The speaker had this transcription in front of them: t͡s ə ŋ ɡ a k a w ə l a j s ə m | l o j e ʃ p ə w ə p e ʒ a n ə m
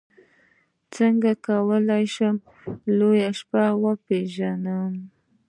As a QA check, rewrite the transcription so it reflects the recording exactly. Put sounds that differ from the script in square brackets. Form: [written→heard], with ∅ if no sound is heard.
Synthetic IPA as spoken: t͡s ə ŋ ɡ a k a w ə l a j [s→ʃ] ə m | l o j [e→a] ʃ p [ə→a] w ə p e ʒ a n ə m